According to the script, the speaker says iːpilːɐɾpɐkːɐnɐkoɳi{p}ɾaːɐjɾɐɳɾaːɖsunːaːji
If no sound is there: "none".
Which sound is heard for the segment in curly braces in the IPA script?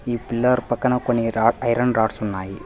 none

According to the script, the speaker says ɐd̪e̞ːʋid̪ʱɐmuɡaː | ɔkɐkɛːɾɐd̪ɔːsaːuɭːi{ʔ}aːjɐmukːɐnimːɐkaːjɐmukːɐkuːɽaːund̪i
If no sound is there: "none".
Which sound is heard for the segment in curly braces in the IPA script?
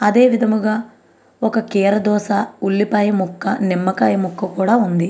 p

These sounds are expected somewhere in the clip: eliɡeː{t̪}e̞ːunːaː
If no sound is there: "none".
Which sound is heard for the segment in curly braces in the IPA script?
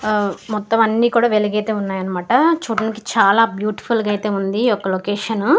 t̪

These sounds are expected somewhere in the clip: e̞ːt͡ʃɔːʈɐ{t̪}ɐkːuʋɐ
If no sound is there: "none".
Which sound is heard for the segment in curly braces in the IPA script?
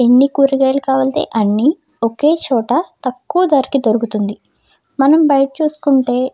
t̪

